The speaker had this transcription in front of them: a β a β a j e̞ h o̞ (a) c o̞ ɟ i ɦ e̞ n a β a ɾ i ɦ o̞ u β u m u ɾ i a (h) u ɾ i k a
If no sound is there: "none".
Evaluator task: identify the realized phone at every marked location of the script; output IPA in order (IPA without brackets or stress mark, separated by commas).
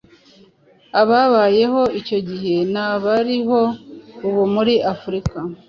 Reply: i, f